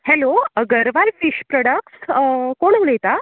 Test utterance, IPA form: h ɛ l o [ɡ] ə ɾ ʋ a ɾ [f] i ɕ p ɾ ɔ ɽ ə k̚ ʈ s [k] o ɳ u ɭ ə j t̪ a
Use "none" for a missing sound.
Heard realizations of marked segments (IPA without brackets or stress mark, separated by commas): ɡ, f, k